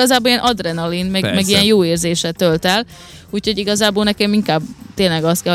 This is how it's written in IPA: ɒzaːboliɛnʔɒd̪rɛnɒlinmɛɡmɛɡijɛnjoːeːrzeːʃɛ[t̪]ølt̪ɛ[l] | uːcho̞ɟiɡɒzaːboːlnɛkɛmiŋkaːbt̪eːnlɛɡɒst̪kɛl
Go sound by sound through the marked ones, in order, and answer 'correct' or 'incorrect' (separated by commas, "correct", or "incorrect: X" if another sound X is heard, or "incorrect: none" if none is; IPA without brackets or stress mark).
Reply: correct, correct